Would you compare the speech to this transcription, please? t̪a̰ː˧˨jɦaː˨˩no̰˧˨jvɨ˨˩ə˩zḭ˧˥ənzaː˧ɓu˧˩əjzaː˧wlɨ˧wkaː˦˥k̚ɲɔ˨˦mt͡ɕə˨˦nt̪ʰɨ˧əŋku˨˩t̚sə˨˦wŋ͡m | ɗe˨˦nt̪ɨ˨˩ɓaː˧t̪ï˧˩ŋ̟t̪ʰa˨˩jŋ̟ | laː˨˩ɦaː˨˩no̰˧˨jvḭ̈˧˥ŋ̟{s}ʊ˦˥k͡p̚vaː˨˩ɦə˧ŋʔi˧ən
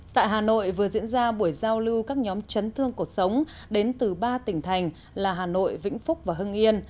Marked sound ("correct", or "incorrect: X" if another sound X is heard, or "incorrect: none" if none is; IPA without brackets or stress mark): incorrect: f